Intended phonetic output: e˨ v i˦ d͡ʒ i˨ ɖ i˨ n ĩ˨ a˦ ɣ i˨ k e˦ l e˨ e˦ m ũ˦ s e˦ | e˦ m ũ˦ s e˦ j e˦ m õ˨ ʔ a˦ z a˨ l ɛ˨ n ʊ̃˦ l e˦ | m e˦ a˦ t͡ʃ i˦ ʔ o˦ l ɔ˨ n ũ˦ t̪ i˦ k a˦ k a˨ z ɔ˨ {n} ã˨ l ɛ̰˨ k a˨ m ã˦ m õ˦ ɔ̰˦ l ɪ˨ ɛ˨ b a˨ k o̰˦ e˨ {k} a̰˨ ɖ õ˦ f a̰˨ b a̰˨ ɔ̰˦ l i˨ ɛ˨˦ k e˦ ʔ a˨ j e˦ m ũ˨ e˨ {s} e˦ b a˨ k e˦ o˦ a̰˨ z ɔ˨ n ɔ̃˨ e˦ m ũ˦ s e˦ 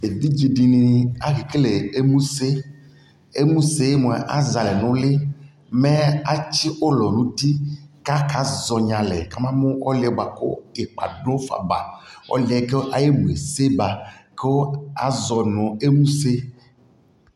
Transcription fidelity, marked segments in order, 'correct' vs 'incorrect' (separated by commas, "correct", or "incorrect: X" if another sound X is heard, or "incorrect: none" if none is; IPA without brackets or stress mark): incorrect: ɲ, incorrect: k͡p, correct